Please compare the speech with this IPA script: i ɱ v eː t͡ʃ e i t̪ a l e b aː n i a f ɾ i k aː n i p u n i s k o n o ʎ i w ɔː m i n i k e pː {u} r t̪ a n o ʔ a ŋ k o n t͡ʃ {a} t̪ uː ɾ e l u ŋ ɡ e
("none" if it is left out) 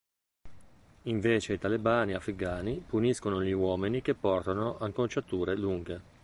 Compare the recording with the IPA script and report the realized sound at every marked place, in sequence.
ɔ, a

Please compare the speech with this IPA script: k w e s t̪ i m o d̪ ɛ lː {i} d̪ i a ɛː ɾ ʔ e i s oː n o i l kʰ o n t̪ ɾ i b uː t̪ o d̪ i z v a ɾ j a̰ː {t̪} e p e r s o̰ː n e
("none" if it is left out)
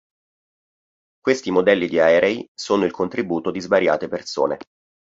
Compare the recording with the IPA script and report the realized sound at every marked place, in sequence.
i, t̪

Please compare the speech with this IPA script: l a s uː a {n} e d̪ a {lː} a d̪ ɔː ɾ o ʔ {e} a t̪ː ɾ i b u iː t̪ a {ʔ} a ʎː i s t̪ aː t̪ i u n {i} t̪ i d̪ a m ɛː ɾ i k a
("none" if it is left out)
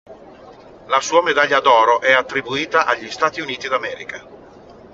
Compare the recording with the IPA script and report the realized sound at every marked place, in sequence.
m, ʎː, ɛ, ʔ, iː

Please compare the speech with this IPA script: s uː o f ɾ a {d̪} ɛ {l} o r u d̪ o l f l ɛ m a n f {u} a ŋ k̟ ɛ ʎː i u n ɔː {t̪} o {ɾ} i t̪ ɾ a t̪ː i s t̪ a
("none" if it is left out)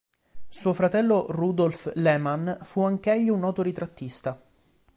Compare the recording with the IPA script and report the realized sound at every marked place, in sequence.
t̪, lː, u, t̪, ɾ

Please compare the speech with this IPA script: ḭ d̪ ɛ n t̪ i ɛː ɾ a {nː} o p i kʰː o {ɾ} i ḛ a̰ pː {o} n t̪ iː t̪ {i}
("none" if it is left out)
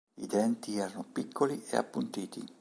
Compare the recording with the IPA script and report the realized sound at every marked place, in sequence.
n, l, u, i

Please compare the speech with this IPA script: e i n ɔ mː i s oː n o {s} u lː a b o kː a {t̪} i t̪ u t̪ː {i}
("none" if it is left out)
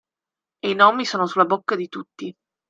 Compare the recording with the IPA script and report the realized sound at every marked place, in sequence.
s, d̪, i

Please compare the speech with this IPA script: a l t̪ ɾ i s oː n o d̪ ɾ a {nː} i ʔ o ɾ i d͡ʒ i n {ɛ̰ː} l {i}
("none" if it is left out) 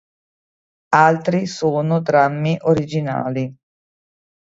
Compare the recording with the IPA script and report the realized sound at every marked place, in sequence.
mː, a̰ː, i

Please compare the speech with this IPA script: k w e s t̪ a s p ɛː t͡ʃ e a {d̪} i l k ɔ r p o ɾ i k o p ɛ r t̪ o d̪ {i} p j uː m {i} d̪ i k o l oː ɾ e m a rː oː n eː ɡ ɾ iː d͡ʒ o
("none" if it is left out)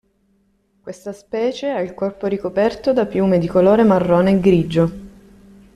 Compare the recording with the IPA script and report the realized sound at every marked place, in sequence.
none, a, e

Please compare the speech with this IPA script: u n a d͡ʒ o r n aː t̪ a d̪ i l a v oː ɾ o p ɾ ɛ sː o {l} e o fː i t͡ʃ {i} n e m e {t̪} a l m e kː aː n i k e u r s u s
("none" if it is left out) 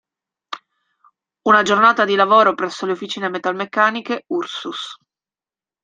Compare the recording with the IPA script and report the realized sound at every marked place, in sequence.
l, iː, t̪

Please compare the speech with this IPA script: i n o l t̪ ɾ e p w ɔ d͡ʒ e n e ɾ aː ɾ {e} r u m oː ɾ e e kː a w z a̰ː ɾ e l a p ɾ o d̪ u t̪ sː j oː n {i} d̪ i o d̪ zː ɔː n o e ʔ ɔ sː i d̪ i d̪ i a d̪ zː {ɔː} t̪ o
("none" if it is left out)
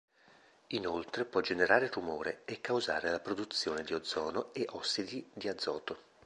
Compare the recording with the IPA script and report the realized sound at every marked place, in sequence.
e, e, ɔː

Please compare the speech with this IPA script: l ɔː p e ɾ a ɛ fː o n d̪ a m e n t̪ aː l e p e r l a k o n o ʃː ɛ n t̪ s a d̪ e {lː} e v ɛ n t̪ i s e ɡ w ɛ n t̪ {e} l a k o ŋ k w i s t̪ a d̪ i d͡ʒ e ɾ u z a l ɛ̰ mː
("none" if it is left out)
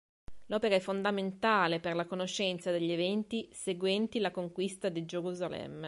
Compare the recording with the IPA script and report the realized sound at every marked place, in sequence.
ʎː, i

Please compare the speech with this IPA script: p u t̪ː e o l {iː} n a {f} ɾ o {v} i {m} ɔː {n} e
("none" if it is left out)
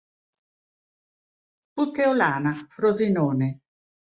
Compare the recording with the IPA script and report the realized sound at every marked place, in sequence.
aː, f, z, n, n

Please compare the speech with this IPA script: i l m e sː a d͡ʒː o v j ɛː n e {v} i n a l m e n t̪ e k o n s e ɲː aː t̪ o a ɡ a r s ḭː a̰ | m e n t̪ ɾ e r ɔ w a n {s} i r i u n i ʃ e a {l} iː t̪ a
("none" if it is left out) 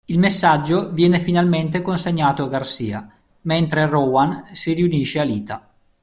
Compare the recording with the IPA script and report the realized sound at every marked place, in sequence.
f, s, l

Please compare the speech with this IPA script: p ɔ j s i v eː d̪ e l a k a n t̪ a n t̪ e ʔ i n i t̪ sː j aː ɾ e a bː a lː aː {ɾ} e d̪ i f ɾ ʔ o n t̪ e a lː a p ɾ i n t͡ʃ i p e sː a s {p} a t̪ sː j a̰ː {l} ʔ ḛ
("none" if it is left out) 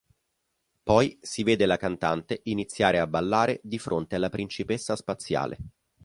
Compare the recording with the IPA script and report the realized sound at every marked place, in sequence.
ɾ, p, l

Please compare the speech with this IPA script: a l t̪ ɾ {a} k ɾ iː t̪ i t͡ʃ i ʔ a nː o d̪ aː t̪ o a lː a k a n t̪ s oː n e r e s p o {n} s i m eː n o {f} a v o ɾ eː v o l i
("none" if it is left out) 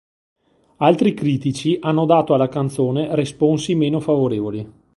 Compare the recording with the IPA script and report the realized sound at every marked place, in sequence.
i, n, f

